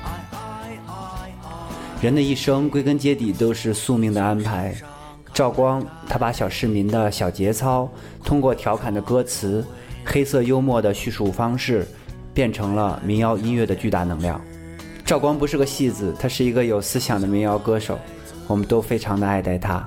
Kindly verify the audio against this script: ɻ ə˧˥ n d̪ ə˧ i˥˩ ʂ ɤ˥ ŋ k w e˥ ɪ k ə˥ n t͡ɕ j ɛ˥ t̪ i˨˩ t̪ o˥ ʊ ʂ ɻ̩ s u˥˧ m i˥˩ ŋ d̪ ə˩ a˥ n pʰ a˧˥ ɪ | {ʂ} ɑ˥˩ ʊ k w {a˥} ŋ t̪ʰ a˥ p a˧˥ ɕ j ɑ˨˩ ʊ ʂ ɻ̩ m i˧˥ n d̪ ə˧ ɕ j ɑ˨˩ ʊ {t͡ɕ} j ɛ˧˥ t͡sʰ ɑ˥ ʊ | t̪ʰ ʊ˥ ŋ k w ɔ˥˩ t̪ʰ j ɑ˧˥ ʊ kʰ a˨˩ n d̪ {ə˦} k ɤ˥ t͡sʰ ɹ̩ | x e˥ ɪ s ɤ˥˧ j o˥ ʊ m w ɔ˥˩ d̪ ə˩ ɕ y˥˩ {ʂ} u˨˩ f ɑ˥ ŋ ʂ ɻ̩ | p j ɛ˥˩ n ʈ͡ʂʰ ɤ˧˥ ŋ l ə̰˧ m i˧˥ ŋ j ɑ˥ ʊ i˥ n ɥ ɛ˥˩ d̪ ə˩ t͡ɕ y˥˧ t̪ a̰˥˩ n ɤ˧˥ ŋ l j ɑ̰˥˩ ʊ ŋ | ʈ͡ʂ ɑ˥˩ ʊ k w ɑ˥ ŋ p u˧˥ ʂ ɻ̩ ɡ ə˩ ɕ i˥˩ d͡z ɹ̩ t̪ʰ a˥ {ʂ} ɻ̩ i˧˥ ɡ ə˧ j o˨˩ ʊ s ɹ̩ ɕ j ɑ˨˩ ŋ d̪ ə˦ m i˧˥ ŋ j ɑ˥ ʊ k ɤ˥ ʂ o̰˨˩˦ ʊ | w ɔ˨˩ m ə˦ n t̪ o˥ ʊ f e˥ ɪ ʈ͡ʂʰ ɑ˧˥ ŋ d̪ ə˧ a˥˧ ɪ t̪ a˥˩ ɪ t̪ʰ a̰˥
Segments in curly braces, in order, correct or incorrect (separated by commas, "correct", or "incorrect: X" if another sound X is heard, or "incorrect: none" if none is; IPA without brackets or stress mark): incorrect: ʈ͡ʂ, incorrect: ɑ˥, correct, correct, correct, correct